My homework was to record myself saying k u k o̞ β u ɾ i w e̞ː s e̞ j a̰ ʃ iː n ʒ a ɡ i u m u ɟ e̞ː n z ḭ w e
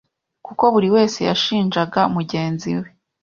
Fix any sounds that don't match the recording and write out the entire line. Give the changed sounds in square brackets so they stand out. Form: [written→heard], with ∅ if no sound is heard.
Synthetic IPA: k u k o̞ β u ɾ i w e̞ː s e̞ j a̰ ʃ iː n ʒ a ɡ [i→a] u m u ɟ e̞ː n z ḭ w e